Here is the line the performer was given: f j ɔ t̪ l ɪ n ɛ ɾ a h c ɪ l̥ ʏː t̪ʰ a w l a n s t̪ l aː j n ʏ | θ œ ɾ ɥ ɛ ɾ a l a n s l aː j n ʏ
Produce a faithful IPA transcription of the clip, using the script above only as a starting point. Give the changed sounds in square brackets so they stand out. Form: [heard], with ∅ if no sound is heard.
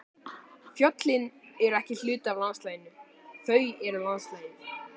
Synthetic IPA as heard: f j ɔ t̪ l ɪ n ɛ ɾ [ɛ] h c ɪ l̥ ʏː [t̪] a [v] l a n s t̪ l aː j n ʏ | θ œ [∅] ɥ ɛ ɾ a l a n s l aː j n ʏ